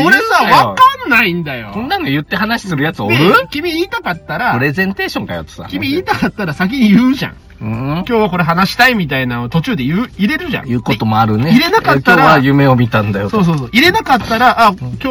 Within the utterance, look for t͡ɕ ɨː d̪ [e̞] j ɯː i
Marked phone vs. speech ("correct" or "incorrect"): correct